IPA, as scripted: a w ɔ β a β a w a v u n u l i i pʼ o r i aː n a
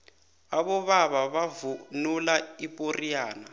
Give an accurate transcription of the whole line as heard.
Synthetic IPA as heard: a β ɔ β a β a β a v u n u l a i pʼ o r i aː n a

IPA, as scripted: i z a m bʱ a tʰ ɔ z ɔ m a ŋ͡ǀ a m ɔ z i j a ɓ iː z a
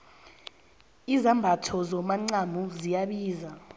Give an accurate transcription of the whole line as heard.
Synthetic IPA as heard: i z a m bʱ a tʰ ɔ z ɔ m a ŋ͡ǀ a m u z i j a ɓ iː z a

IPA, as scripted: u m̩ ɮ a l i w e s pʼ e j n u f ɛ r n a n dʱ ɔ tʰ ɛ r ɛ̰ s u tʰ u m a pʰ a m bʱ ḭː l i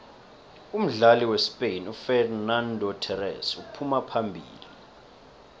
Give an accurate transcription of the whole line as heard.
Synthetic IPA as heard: u m̩ ɮ a l i w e s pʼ e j n u f ɛ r n a n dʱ ɔ tʰ ɛ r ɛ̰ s u pʰ u m a pʰ a m bʱ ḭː l i

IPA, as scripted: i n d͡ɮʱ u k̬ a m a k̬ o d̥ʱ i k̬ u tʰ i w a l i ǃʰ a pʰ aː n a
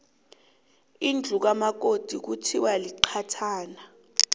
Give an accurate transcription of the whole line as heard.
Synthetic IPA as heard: i n d͡ɮʱ u k̬ a m a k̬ o d̥ʱ i k̬ u tʰ i w a l i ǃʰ a tʰ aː n a

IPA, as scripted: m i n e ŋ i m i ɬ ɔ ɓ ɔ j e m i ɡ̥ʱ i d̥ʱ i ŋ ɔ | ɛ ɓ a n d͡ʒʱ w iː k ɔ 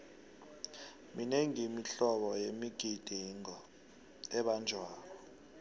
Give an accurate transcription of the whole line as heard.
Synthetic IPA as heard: m i n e ŋ i m i ɬ ɔ ɓ ɔ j e m i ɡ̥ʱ i d̥ʱ i ŋ ɔ | ɛ ɓ a n d͡ʒʱ w aː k ɔ

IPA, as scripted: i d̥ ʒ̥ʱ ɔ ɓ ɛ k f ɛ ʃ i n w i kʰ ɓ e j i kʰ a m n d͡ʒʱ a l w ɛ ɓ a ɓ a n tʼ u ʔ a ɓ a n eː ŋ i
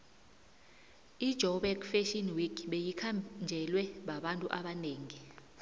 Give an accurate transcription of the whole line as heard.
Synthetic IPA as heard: i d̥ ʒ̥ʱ ɔ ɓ ɛ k f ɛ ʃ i n w i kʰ ɓ e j i kʰ a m n d͡ʒʱ ɛ l w ɛ ɓ a ɓ a n tʼ u ʔ a ɓ a n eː ŋ i

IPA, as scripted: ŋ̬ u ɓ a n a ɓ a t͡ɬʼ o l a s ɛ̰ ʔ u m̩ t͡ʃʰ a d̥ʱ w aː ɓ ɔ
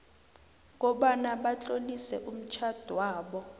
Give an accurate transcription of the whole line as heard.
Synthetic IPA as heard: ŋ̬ ɔ ɓ a n a ɓ a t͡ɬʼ o l i s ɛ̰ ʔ u m̩ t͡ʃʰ a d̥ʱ w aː ɓ ɔ

